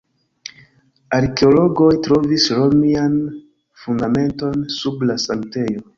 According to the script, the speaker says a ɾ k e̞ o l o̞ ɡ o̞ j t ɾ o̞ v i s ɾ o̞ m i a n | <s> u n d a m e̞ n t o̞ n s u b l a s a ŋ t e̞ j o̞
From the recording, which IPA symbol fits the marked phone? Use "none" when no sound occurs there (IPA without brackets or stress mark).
f